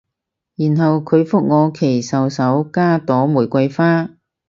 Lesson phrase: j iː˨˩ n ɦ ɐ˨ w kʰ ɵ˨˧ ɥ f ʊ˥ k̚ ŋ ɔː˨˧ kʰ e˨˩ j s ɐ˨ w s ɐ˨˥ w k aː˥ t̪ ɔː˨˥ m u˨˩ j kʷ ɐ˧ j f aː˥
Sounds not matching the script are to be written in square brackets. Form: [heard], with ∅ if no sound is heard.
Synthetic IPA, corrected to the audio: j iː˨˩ n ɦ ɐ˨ w kʰ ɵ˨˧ ɥ f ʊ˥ k̚ ŋ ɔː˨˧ kʰ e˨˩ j s ɐ˨ w s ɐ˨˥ w k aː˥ t̪ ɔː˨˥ m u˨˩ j kʷ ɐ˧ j f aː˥